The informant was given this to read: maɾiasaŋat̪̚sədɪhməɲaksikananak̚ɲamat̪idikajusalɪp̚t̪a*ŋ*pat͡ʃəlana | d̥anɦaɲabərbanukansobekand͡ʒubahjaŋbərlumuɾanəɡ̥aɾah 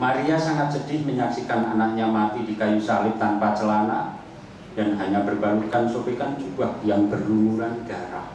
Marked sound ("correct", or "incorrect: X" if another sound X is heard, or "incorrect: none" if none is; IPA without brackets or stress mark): incorrect: n